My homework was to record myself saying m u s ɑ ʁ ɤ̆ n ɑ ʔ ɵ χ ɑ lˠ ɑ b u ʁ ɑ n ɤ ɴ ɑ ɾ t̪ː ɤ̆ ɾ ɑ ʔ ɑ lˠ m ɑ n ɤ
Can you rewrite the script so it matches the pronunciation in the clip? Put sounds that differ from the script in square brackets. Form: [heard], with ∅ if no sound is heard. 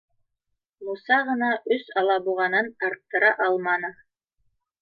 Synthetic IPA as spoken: m u s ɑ ʁ ɤ̆ n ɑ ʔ ɵ [s] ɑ lˠ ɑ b u ʁ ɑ n ɤ [n] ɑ ɾ t̪ː ɤ̆ ɾ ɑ ʔ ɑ lˠ m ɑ n ɤ